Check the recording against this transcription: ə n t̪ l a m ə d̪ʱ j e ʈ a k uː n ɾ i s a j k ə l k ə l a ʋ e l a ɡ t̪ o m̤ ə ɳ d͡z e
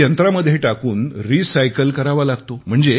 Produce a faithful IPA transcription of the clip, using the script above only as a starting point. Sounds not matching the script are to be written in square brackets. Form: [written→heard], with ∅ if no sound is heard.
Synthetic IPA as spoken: ə n t̪ [l→ɾ] a m ə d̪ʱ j e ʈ a k uː n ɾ i s a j k ə l k ə [l→ɾ] a ʋ [e→a] l a ɡ t̪ o m̤ ə ɳ d͡z e

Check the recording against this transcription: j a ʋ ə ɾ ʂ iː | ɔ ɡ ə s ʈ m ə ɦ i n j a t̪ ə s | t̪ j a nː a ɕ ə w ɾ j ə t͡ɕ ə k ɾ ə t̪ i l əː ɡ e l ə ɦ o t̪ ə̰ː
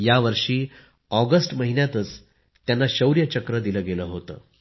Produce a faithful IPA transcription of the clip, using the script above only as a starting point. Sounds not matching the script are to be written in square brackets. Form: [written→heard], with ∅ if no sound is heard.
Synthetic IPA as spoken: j a ʋ ə ɾ ʂ iː | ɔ ɡ ə s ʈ m ə ɦ i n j a t̪ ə [s→t͡s] | t̪ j a nː a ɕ ə w ɾ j ə t͡ɕ ə k ɾ ə [t̪→d̪] i l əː ɡ e l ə ɦ o t̪ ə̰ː

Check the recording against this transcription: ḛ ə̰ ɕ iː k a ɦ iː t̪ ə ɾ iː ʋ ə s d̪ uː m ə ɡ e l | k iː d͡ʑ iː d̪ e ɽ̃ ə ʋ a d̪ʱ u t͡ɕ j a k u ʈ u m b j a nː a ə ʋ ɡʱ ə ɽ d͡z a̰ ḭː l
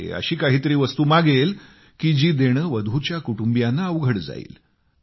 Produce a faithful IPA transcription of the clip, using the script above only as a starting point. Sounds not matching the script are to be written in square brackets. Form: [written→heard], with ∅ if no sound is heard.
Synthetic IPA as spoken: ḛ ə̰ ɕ iː k a ɦ iː t̪ ə ɾ iː ʋ ə s [d̪→t̪] uː m [ə→a] ɡ e l | k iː d͡ʑ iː d̪ e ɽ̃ ə ʋ [a→ə] d̪ʱ u t͡ɕ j a k u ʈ u m b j a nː a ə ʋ ɡʱ ə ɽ d͡z a̰ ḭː l

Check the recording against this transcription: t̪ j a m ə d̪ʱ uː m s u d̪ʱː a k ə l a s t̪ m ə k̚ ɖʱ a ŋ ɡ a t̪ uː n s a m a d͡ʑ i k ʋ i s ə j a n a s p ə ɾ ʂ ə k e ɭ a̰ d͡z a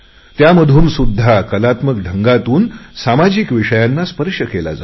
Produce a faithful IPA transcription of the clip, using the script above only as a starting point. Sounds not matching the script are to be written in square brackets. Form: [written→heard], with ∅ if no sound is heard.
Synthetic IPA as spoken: t̪ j a m ə d̪ʱ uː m s u d̪ʱː a k ə l a [s→∅] t̪ m ə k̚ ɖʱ [a→ə] ŋ ɡ a t̪ uː n s a m a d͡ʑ i k ʋ i [s→ʂ] ə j a [n→nː] a s p ə ɾ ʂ ə k e [ɭ→l] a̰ d͡z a

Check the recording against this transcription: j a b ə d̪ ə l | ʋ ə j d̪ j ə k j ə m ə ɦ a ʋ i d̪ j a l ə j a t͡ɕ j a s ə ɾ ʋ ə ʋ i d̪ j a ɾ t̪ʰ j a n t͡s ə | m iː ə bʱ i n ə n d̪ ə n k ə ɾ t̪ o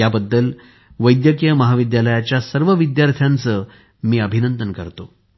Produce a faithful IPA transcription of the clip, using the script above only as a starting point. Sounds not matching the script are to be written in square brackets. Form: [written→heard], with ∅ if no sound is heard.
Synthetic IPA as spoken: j a b ə [d̪→d̪ː] ə l | ʋ ə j d̪ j ə k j ə m ə ɦ a ʋ i d̪ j a l ə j a t͡ɕ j a s ə ɾ ʋ ə ʋ i d̪ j a ɾ t̪ʰ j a n t͡s ə | m iː ə bʱ i n ə n d̪ ə n k ə ɾ t̪ o

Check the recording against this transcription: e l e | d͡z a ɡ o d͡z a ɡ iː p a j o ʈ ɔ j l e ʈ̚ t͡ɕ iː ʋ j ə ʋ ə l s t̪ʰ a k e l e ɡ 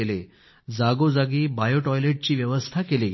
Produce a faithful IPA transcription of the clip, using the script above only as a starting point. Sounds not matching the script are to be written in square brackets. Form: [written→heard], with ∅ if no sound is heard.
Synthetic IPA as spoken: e l e | d͡z a ɡ o d͡z a ɡ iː [p→b] a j o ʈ ɔ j l e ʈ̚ t͡ɕ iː ʋ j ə ʋ ə [l→∅] s t̪ʰ a k e l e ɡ

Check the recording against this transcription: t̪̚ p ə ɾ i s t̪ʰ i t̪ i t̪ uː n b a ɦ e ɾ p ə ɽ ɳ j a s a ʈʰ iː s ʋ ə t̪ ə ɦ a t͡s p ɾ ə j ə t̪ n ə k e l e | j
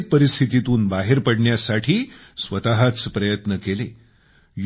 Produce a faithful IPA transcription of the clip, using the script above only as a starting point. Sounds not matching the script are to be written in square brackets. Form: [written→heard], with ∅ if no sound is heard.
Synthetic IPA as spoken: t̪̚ p ə ɾ i s t̪ʰ i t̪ i t̪ uː n b a ɦ e ɾ p ə ɽ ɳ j a s a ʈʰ iː s ʋ ə t̪ [ə→a] ɦ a t͡s p ɾ ə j ə t̪ n ə k e l e | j

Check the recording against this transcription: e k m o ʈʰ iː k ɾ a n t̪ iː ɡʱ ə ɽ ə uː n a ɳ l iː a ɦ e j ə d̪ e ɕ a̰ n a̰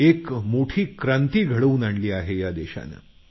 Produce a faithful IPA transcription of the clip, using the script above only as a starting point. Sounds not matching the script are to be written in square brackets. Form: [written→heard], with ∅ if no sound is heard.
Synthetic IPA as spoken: e k m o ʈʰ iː k ɾ a n t̪ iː ɡʱ ə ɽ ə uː n a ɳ l iː a ɦ e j [ə→a] d̪ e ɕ a̰ n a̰

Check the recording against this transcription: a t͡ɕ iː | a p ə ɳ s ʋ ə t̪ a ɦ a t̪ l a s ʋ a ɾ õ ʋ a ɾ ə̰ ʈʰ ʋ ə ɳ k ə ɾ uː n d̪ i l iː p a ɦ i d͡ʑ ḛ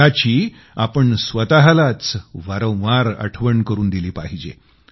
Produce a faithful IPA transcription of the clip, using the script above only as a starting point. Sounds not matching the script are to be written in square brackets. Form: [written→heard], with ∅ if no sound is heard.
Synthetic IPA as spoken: a t͡ɕ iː | a p ə ɳ s ʋ ə t̪ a ɦ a [t̪→∅] l a [s→t͡s] ʋ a ɾ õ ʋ a ɾ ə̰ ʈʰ ʋ ə ɳ k ə ɾ uː n d̪ i l iː p a ɦ i d͡ʑ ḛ

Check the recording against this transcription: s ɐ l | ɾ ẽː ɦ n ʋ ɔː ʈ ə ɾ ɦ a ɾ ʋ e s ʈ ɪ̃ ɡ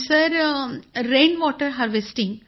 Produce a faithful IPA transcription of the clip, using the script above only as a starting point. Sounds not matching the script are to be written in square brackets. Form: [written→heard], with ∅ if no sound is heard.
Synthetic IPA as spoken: s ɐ [l→ɾ] | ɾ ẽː [ɦ→∅] n ʋ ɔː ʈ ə ɾ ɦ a ɾ ʋ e s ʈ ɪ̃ [ɡ→ŋ]

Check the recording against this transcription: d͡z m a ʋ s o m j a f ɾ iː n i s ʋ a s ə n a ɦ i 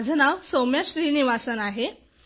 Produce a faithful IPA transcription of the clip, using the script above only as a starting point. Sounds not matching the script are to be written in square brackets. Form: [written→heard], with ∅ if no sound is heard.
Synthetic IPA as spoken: d͡z [m→n] a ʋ s o m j a [f→ɕ] ɾ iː n i [s→∅] ʋ a s ə n a ɦ [i→e]

